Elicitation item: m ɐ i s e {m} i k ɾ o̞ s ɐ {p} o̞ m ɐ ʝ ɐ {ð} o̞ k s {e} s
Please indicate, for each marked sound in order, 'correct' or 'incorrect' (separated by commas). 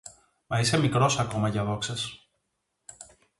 correct, incorrect, correct, correct